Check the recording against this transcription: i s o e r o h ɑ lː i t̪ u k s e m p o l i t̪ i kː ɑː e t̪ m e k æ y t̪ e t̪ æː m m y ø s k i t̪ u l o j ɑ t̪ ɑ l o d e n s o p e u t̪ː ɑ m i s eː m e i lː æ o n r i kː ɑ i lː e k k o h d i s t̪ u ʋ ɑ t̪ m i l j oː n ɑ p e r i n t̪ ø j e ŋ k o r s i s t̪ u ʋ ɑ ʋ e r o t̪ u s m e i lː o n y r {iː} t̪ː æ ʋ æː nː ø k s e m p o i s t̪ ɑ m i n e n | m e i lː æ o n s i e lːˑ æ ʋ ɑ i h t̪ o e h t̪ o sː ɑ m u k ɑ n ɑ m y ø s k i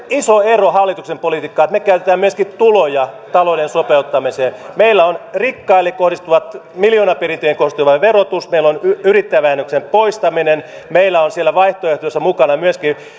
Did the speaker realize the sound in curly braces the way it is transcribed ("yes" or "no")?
no